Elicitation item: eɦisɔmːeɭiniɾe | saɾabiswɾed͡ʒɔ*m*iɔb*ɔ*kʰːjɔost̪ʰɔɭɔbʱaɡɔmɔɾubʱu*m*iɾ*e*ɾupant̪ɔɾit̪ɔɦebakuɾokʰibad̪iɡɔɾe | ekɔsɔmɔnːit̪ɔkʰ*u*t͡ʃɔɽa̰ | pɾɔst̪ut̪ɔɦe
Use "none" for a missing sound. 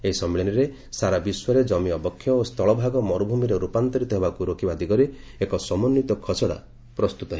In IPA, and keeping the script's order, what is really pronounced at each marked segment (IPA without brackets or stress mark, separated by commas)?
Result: m, ɔ, m, e, ɔ